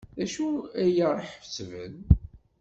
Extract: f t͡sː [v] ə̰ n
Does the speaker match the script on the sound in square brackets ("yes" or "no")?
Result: yes